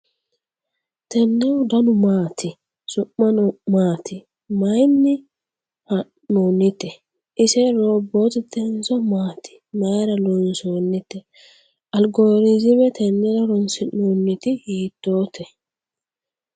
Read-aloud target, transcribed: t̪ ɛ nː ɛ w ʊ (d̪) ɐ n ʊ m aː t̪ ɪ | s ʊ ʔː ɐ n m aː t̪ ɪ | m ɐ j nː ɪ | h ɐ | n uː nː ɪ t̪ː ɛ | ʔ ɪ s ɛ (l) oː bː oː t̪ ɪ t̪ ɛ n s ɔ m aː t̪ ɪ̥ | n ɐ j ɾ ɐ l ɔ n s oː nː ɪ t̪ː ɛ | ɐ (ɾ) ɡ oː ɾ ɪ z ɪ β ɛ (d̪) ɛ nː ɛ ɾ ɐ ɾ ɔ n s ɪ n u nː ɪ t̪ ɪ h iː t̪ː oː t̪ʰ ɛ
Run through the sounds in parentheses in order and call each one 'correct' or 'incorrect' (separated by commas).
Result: correct, incorrect, incorrect, incorrect